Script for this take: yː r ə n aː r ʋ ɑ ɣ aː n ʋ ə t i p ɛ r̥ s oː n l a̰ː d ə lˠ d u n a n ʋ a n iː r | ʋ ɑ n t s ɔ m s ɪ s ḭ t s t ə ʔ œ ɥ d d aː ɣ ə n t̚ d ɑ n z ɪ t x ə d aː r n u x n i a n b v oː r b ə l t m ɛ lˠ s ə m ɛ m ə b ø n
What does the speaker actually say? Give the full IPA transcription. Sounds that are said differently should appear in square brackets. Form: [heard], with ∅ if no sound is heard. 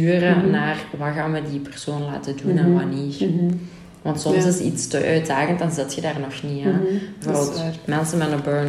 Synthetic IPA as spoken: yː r ə n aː r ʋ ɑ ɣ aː n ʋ ə [d] i p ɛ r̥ s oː n l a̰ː [t] ə [∅] d u n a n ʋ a n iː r | ʋ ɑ n t s ɔ m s ɪ s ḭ t s t ə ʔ œ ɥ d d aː ɣ ə n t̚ d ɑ n z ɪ t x ə d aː r n [ɔ] x n i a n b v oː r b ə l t m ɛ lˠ s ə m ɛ [n] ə b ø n